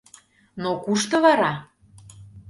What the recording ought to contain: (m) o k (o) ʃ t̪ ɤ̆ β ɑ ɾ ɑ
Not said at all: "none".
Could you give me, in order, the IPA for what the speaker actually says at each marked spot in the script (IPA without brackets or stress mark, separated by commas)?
n, u